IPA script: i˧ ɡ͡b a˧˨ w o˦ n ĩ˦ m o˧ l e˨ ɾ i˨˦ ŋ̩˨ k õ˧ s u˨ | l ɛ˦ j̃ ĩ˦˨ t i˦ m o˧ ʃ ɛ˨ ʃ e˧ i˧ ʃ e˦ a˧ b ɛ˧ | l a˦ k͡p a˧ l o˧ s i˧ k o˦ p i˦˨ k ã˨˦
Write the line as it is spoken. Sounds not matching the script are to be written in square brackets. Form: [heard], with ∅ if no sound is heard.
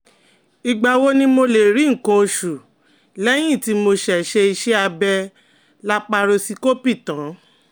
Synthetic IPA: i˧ ɡ͡b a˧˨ w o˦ n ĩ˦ m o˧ l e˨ ɾ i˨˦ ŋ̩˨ k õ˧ [ʃ] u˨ | l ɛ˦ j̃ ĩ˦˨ t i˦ m o˧ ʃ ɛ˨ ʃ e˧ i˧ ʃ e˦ a˧ b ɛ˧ | l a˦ k͡p a˧ [ɾ] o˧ s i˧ k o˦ p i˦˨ [t] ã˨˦